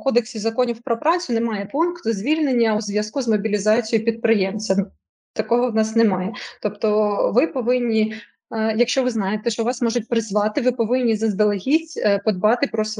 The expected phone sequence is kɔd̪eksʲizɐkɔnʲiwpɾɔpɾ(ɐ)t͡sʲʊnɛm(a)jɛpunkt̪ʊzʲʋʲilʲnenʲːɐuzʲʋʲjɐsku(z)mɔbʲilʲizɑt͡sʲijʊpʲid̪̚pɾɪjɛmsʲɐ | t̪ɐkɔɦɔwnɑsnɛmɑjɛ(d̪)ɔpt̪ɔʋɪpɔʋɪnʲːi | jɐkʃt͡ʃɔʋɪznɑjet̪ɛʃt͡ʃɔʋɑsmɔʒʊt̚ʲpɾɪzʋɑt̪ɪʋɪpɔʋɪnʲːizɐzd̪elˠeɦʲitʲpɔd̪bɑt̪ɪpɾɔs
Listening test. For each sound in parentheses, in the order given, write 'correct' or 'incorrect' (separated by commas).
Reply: incorrect, incorrect, correct, incorrect